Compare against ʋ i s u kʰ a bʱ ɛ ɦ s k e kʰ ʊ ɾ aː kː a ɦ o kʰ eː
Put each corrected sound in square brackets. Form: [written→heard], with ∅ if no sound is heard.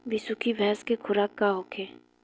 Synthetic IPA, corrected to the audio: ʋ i s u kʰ [a→i] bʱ ɛ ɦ s k e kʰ ʊ ɾ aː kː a ɦ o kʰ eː